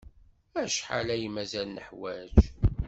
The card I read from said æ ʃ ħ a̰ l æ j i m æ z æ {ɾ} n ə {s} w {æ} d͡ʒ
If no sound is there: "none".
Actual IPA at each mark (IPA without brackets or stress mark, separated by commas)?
l, ħ, æ